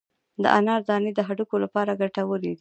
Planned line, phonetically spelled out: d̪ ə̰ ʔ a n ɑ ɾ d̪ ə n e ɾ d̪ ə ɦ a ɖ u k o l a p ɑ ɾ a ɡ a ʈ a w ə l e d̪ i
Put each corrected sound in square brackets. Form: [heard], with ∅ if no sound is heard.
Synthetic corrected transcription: d̪ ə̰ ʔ a n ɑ ɾ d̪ [ɑ] n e [∅] d̪ ə ɦ a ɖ u k o l a p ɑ ɾ a ɡ a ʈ a w ə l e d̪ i